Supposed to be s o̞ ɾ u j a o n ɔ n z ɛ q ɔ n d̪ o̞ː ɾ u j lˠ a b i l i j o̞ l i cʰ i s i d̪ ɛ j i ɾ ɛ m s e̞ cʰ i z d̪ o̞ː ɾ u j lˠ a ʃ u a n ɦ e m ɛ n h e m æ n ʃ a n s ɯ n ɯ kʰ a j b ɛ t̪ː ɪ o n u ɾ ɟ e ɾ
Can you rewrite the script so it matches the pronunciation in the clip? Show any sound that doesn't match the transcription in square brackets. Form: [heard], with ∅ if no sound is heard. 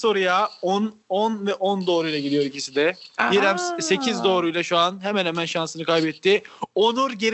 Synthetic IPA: s o̞ ɾ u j a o n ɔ n [v] ɛ [ʔ] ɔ n d̪ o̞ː ɾ u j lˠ a [ɟ] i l i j o̞ [ɾ] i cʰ i s i d̪ ɛ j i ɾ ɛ m s e̞ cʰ i z d̪ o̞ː ɾ u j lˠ a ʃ u a n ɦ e m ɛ n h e m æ n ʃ a n s ɯ n ɯ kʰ a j b ɛ t̪ː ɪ o n u ɾ ɟ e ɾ